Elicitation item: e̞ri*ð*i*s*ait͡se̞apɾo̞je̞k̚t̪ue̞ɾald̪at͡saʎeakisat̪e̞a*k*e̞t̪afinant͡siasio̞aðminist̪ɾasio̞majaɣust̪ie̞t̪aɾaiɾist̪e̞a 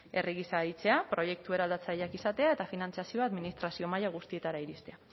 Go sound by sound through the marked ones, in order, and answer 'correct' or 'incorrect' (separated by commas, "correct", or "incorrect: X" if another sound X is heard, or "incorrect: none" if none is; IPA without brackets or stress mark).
incorrect: ɣ, correct, incorrect: none